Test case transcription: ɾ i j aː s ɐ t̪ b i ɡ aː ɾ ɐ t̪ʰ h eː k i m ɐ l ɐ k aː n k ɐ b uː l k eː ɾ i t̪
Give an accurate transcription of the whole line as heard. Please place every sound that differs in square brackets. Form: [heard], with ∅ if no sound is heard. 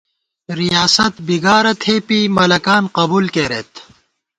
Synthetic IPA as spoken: ɾ i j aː s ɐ t̪ b i ɡ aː ɾ ɐ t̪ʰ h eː [p] i m ɐ l ɐ k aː n [q] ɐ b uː l k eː ɾ [e] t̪